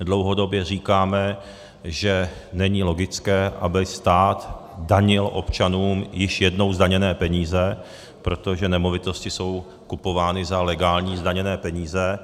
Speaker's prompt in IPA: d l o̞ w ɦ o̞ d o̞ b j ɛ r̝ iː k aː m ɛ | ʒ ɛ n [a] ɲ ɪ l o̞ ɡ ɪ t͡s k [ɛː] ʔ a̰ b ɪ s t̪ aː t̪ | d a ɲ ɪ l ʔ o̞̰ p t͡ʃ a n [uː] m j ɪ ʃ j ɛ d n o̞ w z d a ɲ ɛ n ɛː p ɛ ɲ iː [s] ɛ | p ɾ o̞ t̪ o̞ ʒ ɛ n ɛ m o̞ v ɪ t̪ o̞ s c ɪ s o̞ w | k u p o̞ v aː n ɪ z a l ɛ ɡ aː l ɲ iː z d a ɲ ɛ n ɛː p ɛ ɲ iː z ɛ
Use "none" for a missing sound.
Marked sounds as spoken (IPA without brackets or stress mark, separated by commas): ɛ, ɛː, uː, z